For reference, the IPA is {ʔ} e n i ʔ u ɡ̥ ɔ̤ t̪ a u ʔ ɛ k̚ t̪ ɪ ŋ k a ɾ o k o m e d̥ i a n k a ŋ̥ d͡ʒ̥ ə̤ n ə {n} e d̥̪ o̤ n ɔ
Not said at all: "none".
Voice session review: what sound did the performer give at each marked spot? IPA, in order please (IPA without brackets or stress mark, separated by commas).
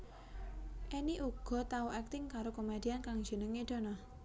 ʔ, ŋ